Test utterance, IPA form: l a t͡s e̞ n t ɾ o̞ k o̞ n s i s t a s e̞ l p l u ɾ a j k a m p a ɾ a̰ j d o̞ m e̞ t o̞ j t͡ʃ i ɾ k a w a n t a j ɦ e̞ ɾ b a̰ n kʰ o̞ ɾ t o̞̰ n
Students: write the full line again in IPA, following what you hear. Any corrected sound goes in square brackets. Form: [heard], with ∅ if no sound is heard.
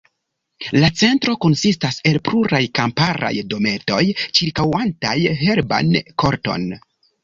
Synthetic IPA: l a t͡s e̞ n t ɾ o̞ k o̞ n s i s t a s e̞ l p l u ɾ a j k a m p a ɾ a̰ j d o̞ m e̞ t o̞ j t͡ʃ i ɾ k a w a n t a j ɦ e̞ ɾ b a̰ n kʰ o̞ ɾ t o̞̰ n